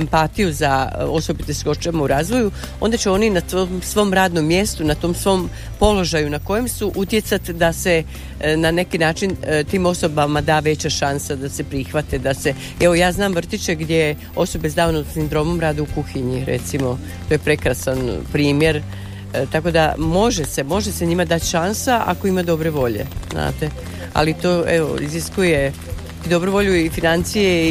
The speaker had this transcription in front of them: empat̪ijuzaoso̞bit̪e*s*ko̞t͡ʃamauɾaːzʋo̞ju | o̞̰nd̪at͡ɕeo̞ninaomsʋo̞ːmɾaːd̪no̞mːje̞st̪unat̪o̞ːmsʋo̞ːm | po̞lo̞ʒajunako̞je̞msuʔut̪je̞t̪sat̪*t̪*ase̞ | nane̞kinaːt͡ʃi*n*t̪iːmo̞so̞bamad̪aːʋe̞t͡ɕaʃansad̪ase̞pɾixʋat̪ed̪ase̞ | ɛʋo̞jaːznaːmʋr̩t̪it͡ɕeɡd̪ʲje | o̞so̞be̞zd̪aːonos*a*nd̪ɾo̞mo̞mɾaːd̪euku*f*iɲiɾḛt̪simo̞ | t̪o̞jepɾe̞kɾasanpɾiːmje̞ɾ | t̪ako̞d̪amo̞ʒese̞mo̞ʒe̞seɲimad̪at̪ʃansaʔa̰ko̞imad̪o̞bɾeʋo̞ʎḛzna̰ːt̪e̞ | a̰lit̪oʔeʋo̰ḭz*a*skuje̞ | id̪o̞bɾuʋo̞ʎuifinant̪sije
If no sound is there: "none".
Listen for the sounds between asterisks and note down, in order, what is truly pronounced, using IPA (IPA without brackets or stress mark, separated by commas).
s, d̪, n, i, x, i